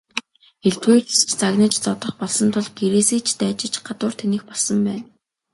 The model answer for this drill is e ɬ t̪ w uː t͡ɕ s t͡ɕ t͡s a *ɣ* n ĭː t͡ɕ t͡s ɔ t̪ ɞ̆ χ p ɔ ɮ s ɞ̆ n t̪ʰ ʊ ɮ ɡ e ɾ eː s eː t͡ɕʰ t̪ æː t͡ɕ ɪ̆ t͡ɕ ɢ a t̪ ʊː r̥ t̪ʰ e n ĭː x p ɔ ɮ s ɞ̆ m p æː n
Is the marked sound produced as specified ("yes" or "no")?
yes